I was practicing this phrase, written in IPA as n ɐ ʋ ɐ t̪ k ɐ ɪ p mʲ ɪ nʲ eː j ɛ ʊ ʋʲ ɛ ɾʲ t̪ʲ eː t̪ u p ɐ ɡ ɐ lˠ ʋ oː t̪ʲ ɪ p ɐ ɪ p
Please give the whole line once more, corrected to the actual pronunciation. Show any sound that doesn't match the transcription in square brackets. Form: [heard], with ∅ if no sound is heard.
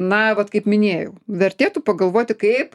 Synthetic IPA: n ɐ ʋ ɐ t̪ k ɐ ɪ p mʲ ɪ nʲ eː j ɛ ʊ ʋʲ ɛ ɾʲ t̪ʲ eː t̪ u p ɐ ɡ ɐ lˠ ʋ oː t̪ʲ ɪ [k] ɐ ɪ p